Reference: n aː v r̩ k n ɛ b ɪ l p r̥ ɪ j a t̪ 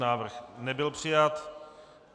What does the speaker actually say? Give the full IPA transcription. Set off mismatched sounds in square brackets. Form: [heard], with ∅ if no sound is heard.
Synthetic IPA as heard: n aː v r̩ [x] n ɛ b ɪ l p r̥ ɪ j a t̪